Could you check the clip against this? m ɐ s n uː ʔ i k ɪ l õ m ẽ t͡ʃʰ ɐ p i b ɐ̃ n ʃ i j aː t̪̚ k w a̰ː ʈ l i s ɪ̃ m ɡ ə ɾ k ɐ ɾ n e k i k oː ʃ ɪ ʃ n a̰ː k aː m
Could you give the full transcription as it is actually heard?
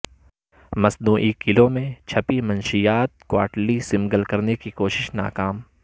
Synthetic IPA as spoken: m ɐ s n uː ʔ i k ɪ l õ m ẽ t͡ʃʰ ɐ p i m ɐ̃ n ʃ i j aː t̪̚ k w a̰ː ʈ l i s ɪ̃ m ɡ ə l k ɐ ɾ n e k i k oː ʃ ɪ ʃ n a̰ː k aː m